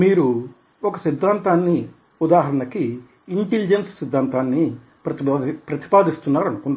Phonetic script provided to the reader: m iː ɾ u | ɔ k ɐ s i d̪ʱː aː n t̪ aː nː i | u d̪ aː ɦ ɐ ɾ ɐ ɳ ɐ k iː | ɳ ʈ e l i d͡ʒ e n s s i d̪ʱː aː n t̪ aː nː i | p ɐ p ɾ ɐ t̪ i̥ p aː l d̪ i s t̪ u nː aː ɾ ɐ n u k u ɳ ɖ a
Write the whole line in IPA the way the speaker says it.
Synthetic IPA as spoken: m iː ɾ u | ɔ k ɐ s i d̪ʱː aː n t̪ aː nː i | u d̪ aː ɦ ɐ ɾ ɐ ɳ ɐ k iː | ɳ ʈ e l i d͡ʒ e n s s i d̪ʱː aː n t̪ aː nː i | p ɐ p ɾ ɐ t̪ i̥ p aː d̪ i s t̪ u nː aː ɾ ɐ n u k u ɳ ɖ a